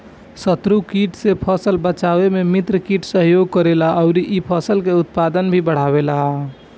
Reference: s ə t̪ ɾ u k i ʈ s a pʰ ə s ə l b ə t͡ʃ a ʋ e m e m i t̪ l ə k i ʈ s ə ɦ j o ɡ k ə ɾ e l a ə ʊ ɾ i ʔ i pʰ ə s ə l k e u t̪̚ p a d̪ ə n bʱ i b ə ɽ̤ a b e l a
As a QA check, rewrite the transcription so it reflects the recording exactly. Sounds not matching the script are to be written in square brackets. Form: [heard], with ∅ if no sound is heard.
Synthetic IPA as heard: s ə t̪ ɾ u k i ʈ s [e] pʰ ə s ə l b ə t͡ʃ a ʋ e m e m i t̪ [ɾ] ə k i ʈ s ə ɦ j o ɡ k ə ɾ e l a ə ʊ ɾ i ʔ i pʰ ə s ə l k e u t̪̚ p a d̪ ə n bʱ i b ə ɽ̤ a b e l a